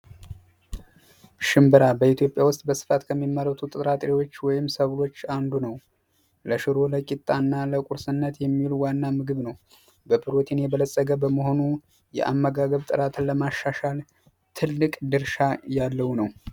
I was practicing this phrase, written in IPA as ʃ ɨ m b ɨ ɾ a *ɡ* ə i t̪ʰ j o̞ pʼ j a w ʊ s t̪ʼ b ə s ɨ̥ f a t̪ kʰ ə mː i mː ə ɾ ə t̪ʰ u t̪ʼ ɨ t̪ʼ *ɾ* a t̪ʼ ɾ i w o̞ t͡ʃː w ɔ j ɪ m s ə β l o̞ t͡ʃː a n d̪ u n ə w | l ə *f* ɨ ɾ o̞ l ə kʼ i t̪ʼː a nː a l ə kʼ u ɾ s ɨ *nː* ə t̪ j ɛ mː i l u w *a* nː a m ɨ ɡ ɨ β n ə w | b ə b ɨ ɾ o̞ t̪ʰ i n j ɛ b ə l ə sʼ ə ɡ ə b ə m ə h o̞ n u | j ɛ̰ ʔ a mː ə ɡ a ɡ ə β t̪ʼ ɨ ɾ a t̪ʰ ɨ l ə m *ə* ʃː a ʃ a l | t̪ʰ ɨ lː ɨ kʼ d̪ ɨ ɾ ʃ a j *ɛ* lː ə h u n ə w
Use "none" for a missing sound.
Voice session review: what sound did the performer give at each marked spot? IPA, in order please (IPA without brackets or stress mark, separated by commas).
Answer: b, ɾ, ʃ, nː, a, a, a